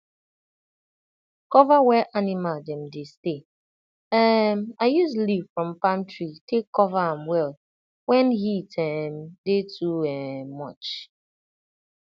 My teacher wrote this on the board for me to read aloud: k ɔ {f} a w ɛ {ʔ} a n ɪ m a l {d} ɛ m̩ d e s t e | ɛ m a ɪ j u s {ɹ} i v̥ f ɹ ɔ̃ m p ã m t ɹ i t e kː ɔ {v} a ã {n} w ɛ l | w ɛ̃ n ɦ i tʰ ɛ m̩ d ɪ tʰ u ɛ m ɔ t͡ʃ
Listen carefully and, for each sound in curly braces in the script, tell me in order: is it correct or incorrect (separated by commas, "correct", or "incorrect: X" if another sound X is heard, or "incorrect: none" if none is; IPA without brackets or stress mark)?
incorrect: v, correct, correct, incorrect: l, correct, incorrect: m